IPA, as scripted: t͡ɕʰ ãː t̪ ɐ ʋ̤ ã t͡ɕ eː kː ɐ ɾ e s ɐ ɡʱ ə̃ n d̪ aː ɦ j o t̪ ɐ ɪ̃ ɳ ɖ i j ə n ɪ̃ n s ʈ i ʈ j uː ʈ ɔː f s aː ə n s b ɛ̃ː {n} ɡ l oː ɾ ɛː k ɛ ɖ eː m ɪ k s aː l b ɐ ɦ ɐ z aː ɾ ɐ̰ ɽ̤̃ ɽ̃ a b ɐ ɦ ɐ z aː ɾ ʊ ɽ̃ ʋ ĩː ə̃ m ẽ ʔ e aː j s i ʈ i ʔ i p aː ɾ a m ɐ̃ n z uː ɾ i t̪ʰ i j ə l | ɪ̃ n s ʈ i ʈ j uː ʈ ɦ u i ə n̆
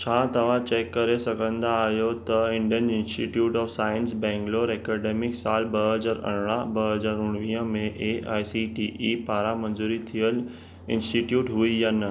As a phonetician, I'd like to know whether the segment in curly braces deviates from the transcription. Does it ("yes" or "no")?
yes